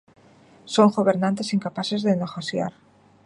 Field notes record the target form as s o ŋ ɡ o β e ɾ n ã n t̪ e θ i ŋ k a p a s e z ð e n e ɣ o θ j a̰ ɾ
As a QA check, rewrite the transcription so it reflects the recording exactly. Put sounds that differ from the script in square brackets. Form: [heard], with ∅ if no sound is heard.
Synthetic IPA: s o ŋ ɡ o β e ɾ n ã n t̪ e [s] i ŋ k a p a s e z ð e n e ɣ o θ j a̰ ɾ